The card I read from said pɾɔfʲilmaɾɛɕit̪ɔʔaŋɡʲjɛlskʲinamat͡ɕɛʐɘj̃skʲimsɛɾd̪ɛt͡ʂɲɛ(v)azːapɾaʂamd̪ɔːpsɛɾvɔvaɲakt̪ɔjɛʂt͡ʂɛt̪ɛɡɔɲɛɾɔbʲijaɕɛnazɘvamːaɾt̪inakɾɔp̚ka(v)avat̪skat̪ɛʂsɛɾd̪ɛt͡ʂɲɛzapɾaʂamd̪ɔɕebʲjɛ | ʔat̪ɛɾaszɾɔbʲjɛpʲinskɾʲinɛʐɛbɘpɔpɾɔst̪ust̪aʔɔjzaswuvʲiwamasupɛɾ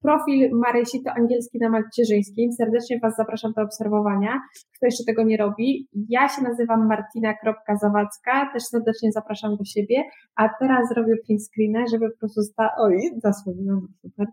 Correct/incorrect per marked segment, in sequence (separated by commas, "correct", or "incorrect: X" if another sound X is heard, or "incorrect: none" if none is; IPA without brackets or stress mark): correct, incorrect: z